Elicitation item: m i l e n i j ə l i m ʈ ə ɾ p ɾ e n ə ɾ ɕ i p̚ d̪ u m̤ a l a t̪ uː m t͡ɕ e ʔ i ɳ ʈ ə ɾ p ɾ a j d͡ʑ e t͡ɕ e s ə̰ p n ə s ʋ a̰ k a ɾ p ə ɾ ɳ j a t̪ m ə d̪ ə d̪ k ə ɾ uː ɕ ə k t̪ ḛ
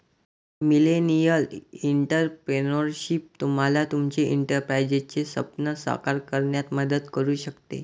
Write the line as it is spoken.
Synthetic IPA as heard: m i l e n i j ə l i ɳ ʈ ə ɾ p ɾ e n ə ɾ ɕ i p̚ t̪ u m̤ a l a t̪ u m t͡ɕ e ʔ i ɳ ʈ ə ɾ p ɾ a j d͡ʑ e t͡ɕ e s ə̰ p n ə s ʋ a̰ k a ɾ k ə ɾ ɳ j a t̪ m ə d̪ ə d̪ k ə ɾ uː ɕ ə k t̪ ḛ